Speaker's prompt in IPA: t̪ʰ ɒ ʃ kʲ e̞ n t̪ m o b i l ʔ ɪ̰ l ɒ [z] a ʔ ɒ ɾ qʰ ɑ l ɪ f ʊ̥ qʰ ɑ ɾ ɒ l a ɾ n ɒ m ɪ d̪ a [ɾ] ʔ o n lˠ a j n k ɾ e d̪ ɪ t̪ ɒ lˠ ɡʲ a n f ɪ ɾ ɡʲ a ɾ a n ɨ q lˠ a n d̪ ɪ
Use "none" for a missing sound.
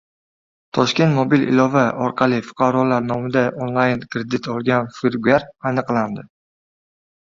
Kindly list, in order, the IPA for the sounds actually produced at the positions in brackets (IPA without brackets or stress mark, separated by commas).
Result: v, none